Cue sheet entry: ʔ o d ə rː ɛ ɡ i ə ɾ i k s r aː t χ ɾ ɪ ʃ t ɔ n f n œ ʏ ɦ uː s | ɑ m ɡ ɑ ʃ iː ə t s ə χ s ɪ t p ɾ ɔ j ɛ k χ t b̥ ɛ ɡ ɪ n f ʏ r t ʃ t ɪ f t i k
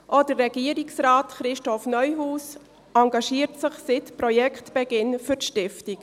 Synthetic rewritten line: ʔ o d ə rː ɛ ɡ i ə ɾ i k s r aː t χ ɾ ɪ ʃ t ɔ f n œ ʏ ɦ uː s | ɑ ŋ ɡ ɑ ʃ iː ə t s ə χ s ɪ t p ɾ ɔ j ɛ k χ t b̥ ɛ ɡ ɪ n f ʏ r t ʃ t ɪ f t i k